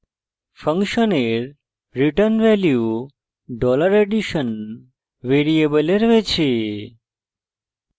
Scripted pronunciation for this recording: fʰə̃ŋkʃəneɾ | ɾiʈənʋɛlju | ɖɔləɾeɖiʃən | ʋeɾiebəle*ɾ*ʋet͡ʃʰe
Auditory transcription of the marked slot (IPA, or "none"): ɾ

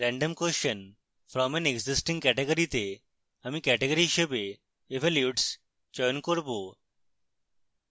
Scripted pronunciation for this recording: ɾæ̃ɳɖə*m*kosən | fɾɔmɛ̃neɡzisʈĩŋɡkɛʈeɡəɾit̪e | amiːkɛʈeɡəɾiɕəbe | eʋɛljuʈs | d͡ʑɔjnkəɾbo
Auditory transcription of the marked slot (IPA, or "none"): m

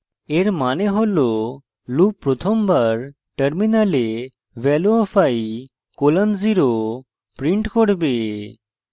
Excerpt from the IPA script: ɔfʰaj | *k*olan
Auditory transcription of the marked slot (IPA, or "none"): k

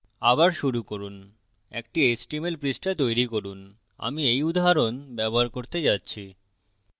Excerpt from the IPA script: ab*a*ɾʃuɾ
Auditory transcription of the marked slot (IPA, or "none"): a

